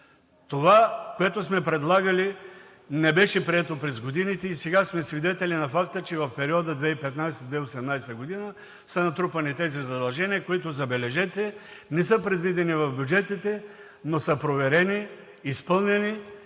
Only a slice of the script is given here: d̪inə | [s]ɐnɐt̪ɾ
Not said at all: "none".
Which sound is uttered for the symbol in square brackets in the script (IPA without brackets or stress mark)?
s